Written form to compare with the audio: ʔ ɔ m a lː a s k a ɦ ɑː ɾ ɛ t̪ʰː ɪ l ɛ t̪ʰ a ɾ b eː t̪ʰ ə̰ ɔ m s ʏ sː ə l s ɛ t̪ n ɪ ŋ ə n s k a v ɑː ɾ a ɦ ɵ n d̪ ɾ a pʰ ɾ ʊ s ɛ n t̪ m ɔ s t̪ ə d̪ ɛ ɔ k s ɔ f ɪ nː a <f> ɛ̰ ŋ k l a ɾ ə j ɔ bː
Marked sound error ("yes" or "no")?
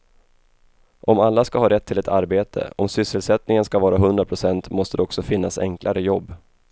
yes